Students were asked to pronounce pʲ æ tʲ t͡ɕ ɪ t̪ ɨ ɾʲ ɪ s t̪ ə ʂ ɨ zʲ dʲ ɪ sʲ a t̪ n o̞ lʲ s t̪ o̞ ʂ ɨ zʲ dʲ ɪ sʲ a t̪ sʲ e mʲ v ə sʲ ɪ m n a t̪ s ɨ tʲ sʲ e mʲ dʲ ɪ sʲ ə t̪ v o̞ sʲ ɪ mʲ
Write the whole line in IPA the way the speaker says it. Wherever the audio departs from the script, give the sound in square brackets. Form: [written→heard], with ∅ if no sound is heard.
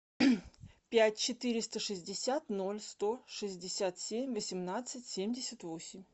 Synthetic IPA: pʲ æ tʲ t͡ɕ ɪ t̪ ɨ ɾʲ ɪ s t̪ ə ʂ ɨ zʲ dʲ ɪ sʲ a t̪ n o̞ lʲ s t̪ o̞ ʂ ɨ zʲ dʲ ɪ sʲ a t̪ sʲ e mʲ v ə sʲ ɪ m n a t̪ s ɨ tʲ sʲ e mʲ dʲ ɪ sʲ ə t̪ v o̞ sʲ ɪ mʲ